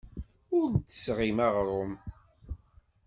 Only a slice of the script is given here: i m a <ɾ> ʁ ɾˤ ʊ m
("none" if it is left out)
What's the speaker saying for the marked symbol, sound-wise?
none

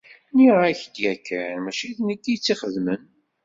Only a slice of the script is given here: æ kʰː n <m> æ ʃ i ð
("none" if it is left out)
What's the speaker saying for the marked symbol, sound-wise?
m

